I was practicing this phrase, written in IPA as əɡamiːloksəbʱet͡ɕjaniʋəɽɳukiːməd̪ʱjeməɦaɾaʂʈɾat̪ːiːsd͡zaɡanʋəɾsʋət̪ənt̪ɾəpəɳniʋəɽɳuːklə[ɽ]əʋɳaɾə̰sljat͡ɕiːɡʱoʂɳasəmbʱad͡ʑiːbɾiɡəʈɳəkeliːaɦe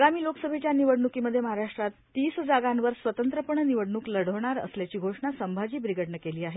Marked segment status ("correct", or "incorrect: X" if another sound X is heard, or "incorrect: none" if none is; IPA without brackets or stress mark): correct